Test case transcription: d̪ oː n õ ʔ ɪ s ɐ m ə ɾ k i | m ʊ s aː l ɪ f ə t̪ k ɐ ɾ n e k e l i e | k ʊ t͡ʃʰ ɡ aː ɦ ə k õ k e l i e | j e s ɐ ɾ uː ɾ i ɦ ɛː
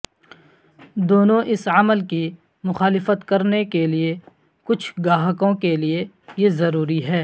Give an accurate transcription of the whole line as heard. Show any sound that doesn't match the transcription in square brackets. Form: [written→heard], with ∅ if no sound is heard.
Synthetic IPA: d̪ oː n õ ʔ ɪ s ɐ m ə [ɾ→l] k i | m ʊ [s→x] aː l ɪ f ə t̪ k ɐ ɾ n e k e l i e | k ʊ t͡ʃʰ ɡ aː ɦ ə k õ k e l i e | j e [s→z] ɐ ɾ uː ɾ i ɦ ɛː